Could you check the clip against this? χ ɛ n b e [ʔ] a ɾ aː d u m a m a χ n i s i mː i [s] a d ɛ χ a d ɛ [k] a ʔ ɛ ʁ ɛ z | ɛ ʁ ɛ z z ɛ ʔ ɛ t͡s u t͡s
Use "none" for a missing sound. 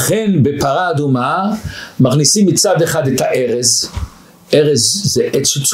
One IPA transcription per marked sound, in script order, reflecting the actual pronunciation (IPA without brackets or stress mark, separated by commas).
p, t͡s, t